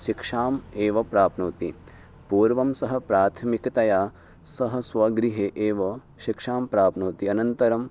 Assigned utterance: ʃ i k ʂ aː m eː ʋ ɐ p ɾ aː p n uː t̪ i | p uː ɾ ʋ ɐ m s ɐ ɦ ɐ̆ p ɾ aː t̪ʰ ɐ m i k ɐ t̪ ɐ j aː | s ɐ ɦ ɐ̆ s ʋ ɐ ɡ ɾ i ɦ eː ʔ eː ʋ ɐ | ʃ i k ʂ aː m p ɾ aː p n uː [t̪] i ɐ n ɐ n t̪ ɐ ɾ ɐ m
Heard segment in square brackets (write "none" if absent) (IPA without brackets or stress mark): t̪